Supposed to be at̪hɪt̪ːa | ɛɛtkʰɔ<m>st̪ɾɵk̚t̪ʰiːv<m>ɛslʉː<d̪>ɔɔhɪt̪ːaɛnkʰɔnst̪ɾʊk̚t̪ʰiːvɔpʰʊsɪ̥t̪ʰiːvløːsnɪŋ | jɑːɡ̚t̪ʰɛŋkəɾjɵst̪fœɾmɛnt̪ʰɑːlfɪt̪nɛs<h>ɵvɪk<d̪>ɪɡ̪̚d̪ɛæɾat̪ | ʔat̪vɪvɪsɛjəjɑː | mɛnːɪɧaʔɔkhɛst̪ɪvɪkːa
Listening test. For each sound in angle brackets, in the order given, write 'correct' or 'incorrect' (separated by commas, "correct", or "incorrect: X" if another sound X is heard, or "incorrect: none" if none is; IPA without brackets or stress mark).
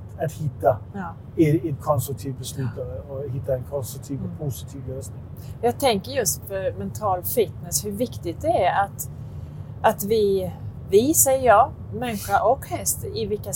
incorrect: n, incorrect: b, incorrect: t̪, correct, incorrect: t̪